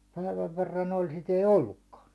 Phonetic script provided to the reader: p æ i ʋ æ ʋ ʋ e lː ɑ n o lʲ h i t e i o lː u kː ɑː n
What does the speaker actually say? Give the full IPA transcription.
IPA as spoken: p æ i ʋ æ ʋ ʋ e rː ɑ n o lʲ s i t e i o lː u kː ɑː n